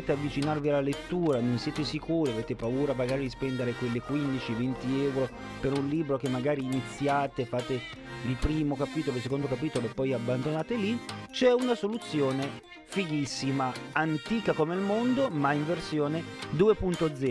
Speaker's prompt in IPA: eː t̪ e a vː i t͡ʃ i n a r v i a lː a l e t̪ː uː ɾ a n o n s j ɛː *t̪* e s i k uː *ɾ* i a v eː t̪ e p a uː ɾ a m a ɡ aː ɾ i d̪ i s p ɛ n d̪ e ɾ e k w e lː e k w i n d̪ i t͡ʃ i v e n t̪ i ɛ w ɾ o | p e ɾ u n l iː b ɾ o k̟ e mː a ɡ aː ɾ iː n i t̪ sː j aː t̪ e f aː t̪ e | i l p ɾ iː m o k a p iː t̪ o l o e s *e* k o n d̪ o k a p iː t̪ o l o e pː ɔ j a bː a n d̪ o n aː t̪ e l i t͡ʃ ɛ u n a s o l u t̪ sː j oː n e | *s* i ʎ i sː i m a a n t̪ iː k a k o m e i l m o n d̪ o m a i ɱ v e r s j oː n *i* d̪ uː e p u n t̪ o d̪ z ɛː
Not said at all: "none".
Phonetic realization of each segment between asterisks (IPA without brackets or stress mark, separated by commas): t̪, ɾ, e, f, e